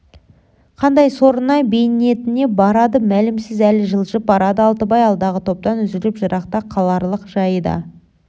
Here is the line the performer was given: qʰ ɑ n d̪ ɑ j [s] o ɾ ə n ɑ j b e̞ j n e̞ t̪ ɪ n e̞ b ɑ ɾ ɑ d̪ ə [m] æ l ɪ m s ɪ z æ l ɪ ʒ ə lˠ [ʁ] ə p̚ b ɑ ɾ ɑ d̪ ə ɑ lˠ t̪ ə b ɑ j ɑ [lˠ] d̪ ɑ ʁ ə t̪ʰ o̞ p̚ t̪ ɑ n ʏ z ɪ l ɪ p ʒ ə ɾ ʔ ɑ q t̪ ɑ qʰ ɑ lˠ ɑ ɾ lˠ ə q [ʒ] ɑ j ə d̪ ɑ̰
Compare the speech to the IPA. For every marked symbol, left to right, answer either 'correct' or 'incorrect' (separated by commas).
correct, correct, incorrect, correct, correct